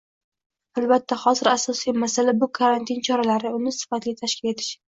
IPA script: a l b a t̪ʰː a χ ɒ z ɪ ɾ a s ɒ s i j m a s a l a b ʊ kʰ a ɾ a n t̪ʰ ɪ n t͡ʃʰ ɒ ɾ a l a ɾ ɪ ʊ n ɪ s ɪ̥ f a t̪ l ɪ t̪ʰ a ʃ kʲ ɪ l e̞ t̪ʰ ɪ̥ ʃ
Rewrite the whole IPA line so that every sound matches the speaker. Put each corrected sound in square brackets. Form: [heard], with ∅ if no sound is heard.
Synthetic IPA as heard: a l b a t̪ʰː a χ ɒ z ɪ ɾ a s ɒ s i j m a s a l a b ʊ kʰ a ɾ a n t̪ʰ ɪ n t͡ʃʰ ɒ ɾ a l a ɾ ɪ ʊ n ɪ s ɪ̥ f a t̪ l ɪ t̪ʰ a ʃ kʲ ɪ l e̞ t̪ʰ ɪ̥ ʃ